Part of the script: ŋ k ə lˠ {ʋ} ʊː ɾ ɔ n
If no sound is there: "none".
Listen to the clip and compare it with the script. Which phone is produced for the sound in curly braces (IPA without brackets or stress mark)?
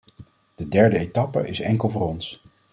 v